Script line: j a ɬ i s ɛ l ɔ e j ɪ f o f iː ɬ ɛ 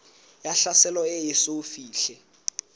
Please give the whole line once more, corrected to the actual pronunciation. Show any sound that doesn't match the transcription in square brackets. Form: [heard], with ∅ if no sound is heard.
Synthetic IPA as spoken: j a ɬ [a] s ɛ l ɔ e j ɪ [s] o f iː ɬ ɛ